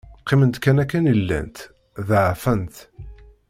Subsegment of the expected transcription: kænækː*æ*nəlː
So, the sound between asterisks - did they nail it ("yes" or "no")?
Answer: yes